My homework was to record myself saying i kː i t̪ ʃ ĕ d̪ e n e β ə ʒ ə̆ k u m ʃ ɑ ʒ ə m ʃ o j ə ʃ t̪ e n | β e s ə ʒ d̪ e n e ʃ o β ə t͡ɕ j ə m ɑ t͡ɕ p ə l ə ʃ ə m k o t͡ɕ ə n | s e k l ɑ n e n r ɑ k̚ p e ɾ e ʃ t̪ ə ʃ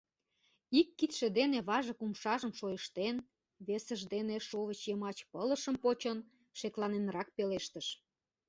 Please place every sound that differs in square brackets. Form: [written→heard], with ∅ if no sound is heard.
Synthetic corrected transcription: i kː i t̪ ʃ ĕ d̪ e n e β [ə→ɑ] ʒ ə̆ k u m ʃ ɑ ʒ ə m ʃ o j ə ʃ t̪ e n | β e s ə ʒ d̪ e n e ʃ o β ə t͡ɕ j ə m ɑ t͡ɕ p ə l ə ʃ ə m [k→p] o t͡ɕ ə n | [s→ʃ] e k l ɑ n e n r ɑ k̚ p e [ɾ→l] e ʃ t̪ ə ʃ